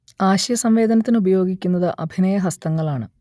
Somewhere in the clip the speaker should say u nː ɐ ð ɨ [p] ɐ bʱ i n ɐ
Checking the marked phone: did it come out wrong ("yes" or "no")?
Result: yes